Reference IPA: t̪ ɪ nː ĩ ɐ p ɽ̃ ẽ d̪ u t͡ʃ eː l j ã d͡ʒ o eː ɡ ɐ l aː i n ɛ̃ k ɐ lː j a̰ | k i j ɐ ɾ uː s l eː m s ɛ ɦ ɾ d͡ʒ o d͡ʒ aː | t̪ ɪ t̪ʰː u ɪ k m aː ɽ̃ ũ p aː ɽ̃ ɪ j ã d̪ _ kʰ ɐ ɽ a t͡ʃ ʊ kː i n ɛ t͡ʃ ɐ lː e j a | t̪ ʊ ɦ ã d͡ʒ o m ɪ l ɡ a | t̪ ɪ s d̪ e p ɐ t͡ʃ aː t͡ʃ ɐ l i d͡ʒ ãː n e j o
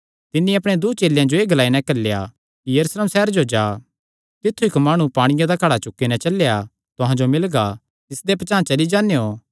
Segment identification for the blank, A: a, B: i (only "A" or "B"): A